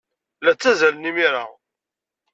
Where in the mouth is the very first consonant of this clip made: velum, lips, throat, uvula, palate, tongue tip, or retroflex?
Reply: tongue tip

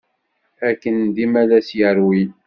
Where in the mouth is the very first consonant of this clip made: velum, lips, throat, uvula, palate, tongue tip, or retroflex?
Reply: velum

